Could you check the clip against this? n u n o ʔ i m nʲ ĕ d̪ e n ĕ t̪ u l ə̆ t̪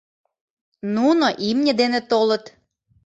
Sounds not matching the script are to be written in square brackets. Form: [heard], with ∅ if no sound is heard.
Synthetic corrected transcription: n u n o ʔ i m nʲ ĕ d̪ e n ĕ t̪ [o] l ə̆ t̪

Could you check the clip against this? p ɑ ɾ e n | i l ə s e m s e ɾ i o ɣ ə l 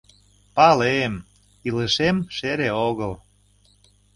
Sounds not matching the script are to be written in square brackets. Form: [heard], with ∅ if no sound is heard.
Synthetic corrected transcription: p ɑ [l] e [m] | i l ə [ʃ] e m [ʃ] e ɾ [e] o ɣ ə l

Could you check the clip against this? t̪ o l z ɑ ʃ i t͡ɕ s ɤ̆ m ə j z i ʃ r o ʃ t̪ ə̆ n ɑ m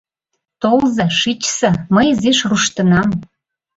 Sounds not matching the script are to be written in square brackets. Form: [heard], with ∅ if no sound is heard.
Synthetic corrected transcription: t̪ o l z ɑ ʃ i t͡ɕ s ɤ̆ m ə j z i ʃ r [u] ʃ t̪ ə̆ n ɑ m

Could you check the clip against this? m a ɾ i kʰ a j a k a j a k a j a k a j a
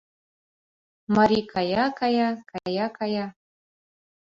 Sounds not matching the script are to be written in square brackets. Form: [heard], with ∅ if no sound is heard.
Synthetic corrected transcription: m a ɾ i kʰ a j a k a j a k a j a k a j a

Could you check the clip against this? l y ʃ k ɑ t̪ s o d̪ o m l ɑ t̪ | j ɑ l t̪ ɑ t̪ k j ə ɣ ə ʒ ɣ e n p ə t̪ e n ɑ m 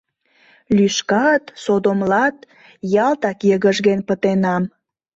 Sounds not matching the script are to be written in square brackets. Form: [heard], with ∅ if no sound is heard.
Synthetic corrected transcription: l y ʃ k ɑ t̪ s o d̪ o m l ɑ t̪ | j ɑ l t̪ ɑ [∅] k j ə ɣ ə ʒ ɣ e n p ə t̪ e n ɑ m

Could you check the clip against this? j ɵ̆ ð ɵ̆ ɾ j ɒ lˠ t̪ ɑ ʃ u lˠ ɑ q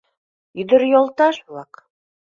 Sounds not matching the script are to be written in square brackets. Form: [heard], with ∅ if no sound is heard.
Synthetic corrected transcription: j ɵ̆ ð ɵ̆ ɾ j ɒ lˠ t̪ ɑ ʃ u lˠ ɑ q

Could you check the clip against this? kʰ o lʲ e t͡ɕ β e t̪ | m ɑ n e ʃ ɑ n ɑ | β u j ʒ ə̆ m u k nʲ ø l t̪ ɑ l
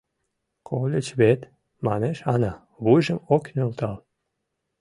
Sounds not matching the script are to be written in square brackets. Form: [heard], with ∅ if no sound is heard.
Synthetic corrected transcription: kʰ o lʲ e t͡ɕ β e t̪ | m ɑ n e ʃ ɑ n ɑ | β u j ʒ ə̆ m [o] k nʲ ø l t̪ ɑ l

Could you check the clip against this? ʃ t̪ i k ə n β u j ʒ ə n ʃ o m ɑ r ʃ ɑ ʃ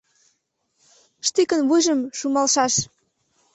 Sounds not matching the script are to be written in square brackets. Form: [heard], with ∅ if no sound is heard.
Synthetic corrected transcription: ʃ t̪ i k ə n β u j ʒ ə [m] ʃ [u] m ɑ [l] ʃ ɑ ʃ

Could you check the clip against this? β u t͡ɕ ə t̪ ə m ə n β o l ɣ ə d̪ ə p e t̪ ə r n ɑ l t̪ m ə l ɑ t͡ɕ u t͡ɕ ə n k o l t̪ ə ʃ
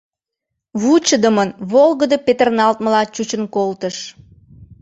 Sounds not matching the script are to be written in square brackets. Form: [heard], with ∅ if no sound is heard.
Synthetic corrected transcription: β u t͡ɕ ə [d̪] ə m ə n β o l ɣ ə d̪ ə p e t̪ ə r n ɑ l t̪ m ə l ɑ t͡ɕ u t͡ɕ ə n k o l t̪ ə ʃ

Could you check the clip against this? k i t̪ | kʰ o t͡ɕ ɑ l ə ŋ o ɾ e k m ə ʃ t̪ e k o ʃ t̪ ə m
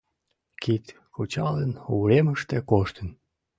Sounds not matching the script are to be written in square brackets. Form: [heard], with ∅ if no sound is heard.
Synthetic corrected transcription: k i t̪ | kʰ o t͡ɕ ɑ l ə [n] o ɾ e [∅] m ə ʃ t̪ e k o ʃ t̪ ə [n]

